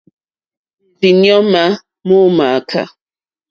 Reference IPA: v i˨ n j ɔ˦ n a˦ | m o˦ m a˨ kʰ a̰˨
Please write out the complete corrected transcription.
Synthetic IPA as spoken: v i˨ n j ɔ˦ m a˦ | m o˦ m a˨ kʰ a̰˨